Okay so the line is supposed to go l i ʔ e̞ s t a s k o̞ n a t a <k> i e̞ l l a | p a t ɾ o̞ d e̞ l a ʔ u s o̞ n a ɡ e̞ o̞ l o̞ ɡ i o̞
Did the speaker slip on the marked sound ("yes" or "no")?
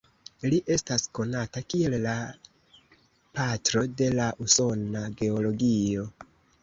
no